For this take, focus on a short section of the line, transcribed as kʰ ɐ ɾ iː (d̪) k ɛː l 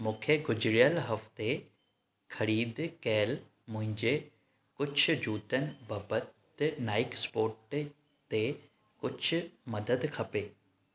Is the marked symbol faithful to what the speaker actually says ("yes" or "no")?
yes